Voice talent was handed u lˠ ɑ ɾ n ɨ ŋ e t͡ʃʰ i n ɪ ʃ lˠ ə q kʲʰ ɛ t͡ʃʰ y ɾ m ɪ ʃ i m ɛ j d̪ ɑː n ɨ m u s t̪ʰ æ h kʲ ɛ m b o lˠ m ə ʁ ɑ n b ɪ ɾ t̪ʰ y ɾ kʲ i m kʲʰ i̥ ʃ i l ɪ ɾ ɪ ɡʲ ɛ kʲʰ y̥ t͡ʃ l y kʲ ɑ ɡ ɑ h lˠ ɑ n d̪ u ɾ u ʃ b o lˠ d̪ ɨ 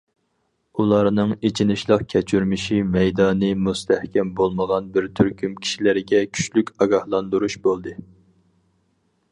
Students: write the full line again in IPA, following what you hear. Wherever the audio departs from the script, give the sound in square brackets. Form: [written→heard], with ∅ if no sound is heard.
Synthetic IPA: u lˠ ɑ ɾ n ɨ ŋ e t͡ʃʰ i n ɪ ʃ lˠ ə q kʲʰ ɛ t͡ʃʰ y ɾ m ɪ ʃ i m ɛ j d̪ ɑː n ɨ m u s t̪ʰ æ h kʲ ɛ m b o lˠ m ə ʁ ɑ n b ɪ ɾ t̪ʰ y ɾ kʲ [i→y] m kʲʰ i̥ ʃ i l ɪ ɾ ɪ ɡʲ ɛ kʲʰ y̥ t͡ʃ l y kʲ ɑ ɡ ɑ h lˠ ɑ n d̪ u ɾ u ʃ b o lˠ d̪ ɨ